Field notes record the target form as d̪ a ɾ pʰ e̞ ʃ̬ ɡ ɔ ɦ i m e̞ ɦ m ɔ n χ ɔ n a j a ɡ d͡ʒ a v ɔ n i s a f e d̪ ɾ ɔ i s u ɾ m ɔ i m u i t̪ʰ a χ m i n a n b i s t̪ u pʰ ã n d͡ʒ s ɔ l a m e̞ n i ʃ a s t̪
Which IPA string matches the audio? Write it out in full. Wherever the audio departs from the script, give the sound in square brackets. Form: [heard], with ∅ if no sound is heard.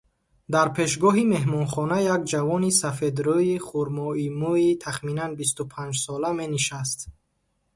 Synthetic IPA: d̪ a ɾ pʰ e̞ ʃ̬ ɡ ɔ ɦ i m e̞ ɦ m ɔ n χ ɔ n a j a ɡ d͡ʒ a v ɔ n i s a f e d̪ ɾ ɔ i [χ] u ɾ m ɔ i m u i t̪ʰ a χ m i n a n b i s t̪ u pʰ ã n d͡ʒ s ɔ l a m e̞ n i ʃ a s t̪